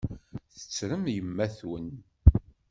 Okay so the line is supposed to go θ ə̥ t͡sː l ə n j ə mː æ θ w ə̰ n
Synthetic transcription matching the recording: θ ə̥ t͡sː ɾ ə m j ə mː æ θ w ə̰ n